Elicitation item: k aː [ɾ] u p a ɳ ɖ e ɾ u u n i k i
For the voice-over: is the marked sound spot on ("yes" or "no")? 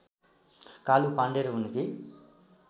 no